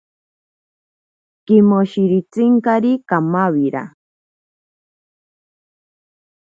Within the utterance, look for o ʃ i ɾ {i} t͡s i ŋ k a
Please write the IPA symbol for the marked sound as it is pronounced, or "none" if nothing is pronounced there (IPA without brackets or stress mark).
i